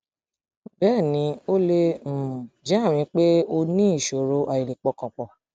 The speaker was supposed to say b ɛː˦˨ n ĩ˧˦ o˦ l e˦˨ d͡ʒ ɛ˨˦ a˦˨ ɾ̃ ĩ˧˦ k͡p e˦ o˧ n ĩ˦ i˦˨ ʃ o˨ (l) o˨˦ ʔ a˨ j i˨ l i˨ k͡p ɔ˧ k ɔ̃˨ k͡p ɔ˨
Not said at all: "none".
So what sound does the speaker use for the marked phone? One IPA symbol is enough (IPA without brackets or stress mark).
ɾ